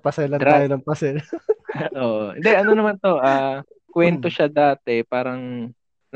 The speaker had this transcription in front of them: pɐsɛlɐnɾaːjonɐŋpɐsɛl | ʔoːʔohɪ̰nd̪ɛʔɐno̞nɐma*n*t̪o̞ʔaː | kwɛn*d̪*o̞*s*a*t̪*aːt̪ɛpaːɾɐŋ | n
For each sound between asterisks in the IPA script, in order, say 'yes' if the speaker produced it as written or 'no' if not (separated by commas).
yes, no, no, no